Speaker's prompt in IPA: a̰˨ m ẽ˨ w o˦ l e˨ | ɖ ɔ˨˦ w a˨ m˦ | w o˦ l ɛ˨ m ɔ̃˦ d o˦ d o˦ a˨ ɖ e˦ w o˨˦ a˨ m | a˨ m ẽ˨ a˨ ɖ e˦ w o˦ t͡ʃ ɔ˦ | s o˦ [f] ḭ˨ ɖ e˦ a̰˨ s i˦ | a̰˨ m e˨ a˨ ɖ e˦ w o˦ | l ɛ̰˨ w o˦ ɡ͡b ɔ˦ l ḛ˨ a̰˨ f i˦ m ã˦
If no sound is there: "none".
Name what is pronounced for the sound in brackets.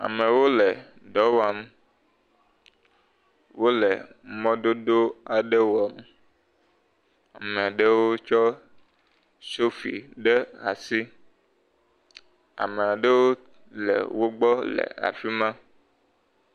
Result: f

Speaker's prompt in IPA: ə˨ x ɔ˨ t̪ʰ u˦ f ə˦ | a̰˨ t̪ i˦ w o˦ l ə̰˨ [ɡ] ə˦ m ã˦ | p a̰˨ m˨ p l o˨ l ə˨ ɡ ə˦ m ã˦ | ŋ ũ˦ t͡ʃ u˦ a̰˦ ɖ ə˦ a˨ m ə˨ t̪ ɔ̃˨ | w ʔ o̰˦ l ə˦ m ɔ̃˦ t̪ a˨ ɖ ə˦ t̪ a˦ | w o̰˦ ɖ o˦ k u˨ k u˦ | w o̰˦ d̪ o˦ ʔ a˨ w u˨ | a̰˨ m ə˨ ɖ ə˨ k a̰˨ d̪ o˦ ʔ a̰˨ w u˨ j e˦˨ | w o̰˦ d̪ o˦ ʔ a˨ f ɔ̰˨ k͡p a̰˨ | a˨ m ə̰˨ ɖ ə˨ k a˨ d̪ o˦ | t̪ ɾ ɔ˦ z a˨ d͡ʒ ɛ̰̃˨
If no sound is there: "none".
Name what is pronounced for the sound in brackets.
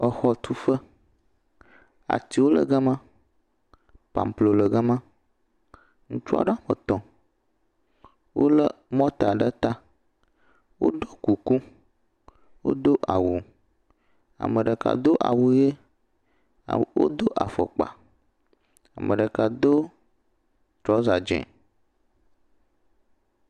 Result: ɡ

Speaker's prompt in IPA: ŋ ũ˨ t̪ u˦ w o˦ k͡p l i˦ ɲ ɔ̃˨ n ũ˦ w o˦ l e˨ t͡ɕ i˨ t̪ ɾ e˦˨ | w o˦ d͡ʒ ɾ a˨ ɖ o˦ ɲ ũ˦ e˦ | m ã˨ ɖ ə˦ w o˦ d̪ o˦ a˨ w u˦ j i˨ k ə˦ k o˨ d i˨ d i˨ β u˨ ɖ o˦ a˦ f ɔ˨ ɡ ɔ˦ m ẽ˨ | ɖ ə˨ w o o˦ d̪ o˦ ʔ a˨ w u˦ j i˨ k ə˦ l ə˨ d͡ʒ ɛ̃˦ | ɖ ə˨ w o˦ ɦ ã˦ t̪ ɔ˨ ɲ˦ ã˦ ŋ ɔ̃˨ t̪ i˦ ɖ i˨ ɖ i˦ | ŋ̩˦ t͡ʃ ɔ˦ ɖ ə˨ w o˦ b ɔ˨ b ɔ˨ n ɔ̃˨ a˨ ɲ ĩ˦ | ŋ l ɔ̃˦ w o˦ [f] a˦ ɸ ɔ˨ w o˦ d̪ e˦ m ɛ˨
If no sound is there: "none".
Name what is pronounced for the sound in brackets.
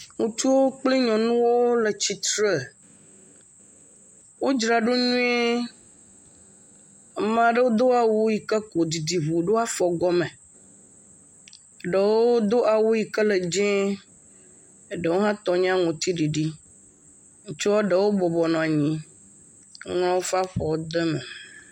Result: f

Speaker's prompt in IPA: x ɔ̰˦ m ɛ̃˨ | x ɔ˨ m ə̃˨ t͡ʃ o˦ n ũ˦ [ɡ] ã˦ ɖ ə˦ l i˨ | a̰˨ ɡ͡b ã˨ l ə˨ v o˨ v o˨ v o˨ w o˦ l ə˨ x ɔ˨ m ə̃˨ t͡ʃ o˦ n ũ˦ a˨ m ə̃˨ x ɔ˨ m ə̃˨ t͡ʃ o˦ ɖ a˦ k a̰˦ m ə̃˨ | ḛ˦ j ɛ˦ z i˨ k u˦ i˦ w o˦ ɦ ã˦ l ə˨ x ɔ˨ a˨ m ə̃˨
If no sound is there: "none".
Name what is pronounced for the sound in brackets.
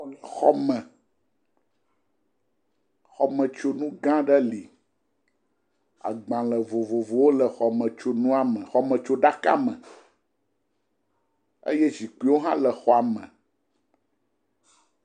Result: ɡ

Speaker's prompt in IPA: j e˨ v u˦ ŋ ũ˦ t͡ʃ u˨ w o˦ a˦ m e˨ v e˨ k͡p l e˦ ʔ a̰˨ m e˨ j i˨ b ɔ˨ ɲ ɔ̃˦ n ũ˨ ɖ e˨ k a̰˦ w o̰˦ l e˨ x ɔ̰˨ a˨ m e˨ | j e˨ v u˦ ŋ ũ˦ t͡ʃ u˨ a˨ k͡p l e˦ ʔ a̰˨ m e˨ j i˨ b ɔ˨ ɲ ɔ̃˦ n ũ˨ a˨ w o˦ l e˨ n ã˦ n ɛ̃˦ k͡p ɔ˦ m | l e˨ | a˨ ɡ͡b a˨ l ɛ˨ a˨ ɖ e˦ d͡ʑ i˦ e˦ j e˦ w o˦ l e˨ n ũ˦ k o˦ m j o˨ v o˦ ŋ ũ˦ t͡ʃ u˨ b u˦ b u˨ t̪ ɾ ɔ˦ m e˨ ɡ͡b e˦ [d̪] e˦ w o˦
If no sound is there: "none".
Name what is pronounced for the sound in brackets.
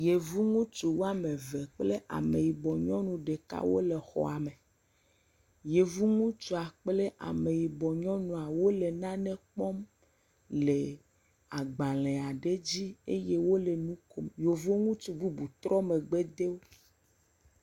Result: d̪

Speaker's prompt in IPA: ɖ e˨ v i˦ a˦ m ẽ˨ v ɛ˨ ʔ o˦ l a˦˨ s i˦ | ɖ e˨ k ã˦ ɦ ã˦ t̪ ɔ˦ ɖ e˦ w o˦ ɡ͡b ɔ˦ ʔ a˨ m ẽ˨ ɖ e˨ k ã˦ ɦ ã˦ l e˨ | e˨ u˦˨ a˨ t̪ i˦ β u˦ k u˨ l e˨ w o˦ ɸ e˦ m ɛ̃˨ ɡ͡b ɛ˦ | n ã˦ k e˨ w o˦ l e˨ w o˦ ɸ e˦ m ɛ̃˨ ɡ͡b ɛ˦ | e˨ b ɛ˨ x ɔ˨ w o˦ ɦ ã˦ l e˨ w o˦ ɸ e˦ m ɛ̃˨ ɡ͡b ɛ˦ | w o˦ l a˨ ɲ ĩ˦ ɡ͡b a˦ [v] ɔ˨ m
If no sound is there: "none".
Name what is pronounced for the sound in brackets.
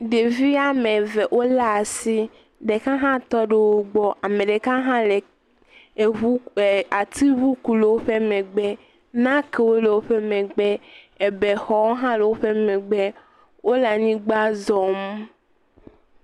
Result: z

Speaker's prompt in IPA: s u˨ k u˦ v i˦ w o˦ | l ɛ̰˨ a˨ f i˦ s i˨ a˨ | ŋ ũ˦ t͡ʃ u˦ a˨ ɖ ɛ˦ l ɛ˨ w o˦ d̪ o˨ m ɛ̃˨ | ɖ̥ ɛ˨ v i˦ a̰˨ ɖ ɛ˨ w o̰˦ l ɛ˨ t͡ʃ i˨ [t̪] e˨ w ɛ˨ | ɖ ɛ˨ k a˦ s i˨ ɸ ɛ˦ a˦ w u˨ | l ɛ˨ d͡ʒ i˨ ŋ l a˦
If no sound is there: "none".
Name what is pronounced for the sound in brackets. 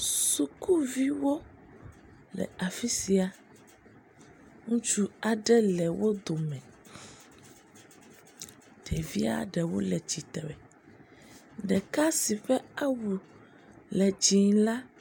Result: t̪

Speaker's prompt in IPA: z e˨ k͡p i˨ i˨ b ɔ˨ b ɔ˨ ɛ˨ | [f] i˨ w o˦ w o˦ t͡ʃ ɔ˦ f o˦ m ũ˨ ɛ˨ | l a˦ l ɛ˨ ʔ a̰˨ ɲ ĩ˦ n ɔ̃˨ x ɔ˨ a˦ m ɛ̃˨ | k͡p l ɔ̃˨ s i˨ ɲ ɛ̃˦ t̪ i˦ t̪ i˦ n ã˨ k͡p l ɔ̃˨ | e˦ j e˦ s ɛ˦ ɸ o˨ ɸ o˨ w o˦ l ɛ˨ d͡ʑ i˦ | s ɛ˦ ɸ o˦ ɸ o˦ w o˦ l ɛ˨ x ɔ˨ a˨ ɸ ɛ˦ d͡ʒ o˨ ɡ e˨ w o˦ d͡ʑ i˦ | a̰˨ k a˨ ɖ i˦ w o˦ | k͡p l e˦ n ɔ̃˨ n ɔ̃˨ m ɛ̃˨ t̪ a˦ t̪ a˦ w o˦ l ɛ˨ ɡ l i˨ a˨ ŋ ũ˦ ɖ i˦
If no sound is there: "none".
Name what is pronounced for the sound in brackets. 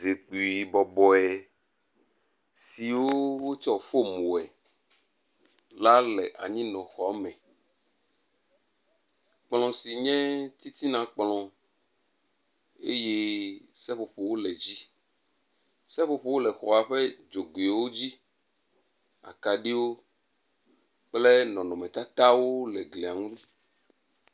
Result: s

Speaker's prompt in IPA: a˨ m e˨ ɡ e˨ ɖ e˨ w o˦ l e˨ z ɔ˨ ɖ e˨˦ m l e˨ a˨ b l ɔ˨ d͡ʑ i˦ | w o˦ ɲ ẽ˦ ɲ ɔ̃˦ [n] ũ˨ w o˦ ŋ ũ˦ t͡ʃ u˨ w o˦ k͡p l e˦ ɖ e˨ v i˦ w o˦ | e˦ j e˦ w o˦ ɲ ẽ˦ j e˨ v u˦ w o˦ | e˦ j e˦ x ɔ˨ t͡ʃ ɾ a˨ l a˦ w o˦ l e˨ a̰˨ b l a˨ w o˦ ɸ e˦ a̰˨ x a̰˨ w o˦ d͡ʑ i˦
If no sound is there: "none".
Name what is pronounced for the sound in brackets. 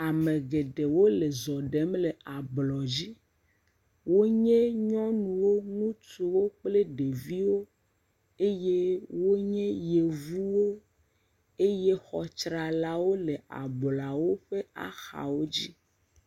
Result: n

